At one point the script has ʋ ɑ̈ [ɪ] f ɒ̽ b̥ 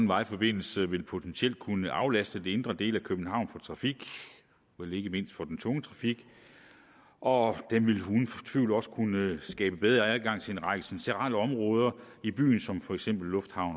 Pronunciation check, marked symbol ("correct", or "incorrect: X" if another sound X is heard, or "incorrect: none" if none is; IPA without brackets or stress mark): correct